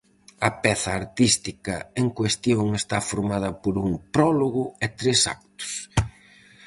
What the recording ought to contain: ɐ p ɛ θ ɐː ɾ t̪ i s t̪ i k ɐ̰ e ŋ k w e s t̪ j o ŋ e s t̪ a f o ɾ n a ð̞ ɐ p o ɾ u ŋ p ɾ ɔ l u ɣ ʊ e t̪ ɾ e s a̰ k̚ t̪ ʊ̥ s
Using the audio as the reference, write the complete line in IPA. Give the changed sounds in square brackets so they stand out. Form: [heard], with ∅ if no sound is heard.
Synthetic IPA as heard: ɐ p ɛ θ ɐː ɾ t̪ i s t̪ i k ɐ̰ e ŋ k w e s t̪ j o ŋ e s t̪ a f o ɾ [m] a ð̞ ɐ p o ɾ u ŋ p ɾ ɔ l [o] ɣ ʊ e t̪ ɾ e s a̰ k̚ t̪ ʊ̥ s